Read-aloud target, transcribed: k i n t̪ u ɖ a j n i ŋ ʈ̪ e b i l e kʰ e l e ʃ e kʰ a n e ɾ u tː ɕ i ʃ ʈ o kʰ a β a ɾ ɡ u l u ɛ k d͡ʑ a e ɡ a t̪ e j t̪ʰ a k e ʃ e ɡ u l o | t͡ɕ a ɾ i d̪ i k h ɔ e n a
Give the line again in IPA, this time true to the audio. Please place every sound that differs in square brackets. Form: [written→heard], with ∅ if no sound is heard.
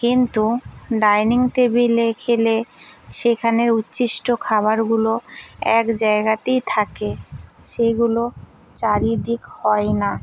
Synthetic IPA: k i n t̪ u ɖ a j n i ŋ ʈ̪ e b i l e kʰ e l e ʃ e kʰ a n e ɾ u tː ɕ i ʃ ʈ o kʰ a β a ɾ ɡ u l [u→o] ɛ k d͡ʑ a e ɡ a t̪ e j t̪ʰ a k e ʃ e ɡ u l o | t͡ɕ a ɾ i d̪ i k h ɔ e n a